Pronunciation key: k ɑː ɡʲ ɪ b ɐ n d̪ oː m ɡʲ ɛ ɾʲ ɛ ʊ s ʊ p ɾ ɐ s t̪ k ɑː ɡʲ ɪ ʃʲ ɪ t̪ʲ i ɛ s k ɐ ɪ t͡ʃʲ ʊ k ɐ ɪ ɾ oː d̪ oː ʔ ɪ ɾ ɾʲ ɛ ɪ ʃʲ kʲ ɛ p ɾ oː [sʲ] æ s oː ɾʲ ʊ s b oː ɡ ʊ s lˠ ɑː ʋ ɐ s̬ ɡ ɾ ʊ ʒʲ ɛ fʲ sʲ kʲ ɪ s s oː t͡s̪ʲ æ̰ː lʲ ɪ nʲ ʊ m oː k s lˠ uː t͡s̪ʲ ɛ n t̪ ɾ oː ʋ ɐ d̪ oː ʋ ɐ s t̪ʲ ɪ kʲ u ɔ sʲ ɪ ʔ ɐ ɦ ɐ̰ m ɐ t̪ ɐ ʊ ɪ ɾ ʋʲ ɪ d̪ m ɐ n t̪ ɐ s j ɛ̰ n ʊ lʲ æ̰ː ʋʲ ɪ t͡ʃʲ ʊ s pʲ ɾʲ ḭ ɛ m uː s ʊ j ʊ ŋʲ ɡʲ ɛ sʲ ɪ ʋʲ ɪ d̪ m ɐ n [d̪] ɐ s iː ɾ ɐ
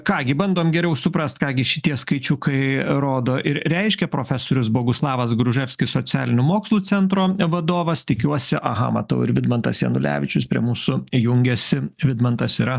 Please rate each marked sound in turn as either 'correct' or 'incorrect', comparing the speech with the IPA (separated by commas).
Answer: incorrect, incorrect